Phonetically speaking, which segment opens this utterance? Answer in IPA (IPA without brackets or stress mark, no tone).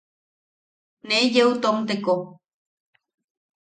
n